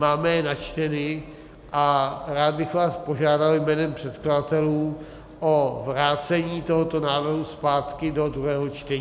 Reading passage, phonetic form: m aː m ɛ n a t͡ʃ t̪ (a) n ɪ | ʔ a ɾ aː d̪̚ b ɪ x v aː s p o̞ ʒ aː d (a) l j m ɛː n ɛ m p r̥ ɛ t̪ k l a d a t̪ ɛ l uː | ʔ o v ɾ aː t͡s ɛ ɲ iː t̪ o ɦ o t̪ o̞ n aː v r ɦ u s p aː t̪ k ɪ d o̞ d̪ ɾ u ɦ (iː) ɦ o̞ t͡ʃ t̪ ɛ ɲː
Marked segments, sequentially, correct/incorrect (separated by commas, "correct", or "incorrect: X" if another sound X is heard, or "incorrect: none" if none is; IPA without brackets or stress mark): incorrect: ɛ, correct, incorrect: ɛː